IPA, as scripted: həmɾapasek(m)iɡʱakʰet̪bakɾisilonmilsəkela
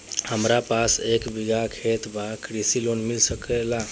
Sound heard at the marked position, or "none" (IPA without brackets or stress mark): b